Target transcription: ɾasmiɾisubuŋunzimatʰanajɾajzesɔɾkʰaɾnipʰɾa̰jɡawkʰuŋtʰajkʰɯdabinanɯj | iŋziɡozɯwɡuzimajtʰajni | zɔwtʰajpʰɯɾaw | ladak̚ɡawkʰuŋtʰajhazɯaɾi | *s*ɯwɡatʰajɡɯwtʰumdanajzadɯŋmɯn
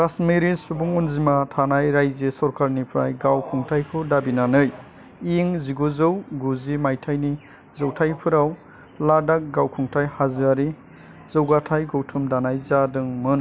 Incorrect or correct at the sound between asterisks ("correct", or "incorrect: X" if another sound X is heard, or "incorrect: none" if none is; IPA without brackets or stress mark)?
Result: incorrect: z